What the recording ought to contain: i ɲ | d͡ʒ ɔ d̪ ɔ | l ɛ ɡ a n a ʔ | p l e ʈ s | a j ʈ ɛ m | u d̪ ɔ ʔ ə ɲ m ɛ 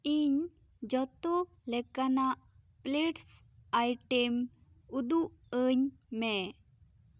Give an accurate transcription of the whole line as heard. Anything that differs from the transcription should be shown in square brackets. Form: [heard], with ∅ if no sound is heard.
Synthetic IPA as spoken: i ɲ | d͡ʒ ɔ [t̪] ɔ | l ɛ [k] a n a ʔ | p l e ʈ s | a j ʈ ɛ m | u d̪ [u] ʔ ə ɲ m ɛ

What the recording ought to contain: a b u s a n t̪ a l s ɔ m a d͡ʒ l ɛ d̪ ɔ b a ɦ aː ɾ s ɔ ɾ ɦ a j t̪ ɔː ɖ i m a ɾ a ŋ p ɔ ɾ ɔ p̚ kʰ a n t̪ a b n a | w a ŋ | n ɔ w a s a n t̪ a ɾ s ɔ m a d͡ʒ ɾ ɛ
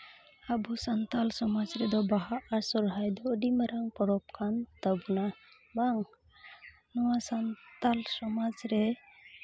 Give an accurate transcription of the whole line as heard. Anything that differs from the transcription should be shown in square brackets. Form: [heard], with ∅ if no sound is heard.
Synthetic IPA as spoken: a b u s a n t̪ a l s ɔ m a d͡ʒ [ɾ] ɛ d̪ ɔ b a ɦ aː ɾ s ɔ ɾ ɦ a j [d̪] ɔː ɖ i m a ɾ a ŋ p ɔ ɾ ɔ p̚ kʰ a n t̪ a b n a | [b] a ŋ | n ɔ w a s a n t̪ a [l] s ɔ m a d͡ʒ ɾ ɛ

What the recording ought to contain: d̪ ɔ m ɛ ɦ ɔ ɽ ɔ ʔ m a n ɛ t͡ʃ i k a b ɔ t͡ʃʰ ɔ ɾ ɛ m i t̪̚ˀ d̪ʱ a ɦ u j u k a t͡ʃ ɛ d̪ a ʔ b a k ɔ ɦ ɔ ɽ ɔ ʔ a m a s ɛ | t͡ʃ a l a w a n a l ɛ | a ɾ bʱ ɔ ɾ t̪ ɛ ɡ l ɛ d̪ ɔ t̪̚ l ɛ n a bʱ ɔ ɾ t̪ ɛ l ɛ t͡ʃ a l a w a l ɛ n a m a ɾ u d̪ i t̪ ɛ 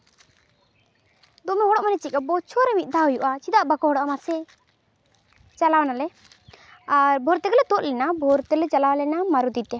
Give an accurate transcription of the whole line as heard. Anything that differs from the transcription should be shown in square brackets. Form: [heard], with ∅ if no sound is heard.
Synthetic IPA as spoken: d̪ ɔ m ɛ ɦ ɔ ɽ ɔ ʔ m a n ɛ t͡ʃ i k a b ɔ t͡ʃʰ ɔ ɾ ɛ m i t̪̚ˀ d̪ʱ a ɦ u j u [ʔ] a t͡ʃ [i] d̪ a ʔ b a k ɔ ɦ ɔ ɽ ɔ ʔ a m a s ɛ | t͡ʃ a l a w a n a l ɛ | a ɾ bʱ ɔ ɾ t̪ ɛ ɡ l ɛ [t̪] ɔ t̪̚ l ɛ n a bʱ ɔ ɾ t̪ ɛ l ɛ t͡ʃ a l a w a l ɛ n a m a ɾ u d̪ i t̪ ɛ

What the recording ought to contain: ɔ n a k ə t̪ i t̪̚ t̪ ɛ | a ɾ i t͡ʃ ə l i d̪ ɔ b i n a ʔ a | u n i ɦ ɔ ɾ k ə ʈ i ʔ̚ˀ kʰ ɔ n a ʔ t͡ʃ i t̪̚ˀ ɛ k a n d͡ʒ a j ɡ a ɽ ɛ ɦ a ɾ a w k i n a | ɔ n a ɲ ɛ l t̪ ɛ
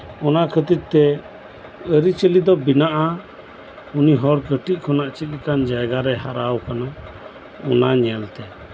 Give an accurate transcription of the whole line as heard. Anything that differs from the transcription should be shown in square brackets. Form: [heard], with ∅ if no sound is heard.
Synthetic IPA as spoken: ɔ n a [kʰ] ə t̪ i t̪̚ t̪ ɛ | [ə] ɾ i t͡ʃ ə l i d̪ ɔ b i n a ʔ a | u n i ɦ ɔ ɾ k ə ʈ i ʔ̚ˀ kʰ ɔ n a ʔ t͡ʃ i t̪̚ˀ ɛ k a n d͡ʒ a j ɡ a [ɾ] ɛ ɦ a ɾ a w k [a] n a | ɔ n a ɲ ɛ l t̪ ɛ

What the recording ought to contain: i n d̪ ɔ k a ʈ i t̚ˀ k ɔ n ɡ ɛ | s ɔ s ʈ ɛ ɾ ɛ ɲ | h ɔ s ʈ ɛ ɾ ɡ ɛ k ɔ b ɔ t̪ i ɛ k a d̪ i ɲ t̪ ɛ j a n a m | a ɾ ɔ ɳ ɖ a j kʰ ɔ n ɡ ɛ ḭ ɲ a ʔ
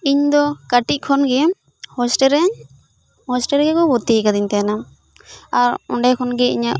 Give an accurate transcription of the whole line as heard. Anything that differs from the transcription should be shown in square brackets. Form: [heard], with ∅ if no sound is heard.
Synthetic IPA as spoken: i [ɲ] d̪ ɔ k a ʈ i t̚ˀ [kʰ] ɔ n ɡ ɛ | [h] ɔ s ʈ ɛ ɾ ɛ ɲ | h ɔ s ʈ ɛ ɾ ɡ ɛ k ɔ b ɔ t̪ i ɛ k a d̪ i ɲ t̪ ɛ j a n a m | a ɾ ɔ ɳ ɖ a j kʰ ɔ n ɡ ɛ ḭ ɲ a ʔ

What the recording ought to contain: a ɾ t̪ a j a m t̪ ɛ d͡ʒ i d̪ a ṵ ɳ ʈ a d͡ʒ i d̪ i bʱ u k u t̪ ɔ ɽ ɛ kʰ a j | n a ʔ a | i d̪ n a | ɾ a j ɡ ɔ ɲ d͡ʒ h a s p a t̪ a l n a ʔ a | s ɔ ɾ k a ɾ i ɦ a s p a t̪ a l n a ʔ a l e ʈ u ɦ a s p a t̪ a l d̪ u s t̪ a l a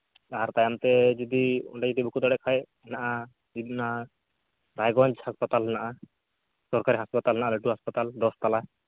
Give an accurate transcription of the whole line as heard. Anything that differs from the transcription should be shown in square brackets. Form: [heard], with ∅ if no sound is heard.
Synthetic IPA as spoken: a ɾ t̪ a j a m t̪ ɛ d͡ʒ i d̪ [i] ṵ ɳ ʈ a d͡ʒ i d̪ i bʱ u k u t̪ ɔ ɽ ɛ kʰ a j | n a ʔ a | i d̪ n a | ɾ a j ɡ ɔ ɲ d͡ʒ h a s p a t̪ a l n a ʔ a | s ɔ ɾ k a ɾ i ɦ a s p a t̪ a l n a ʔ a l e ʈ u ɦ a s p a t̪ a l d̪ [ɔ] s t̪ a l a

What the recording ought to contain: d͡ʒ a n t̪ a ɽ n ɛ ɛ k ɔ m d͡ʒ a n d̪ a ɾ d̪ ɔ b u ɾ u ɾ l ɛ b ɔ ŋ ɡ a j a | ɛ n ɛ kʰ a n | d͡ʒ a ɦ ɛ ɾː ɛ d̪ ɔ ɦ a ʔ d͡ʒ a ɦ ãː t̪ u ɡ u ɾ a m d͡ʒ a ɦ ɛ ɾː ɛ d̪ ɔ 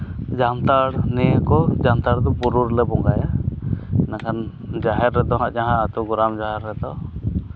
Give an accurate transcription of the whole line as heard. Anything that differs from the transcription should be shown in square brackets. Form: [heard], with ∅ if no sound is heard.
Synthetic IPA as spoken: d͡ʒ a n t̪ a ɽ n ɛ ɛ k ɔ [∅] d͡ʒ a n [t̪] a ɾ d̪ ɔ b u ɾ u ɾ l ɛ b ɔ ŋ ɡ a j a | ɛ n [a] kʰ a n | d͡ʒ a ɦ ɛ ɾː ɛ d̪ ɔ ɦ a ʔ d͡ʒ a ɦ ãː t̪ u ɡ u ɾ a m d͡ʒ a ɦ ɛ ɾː ɛ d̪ ɔ

